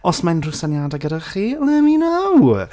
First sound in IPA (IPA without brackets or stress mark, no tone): ɔ